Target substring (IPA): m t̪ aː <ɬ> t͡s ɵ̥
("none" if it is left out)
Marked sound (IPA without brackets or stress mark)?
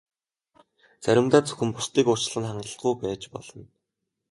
none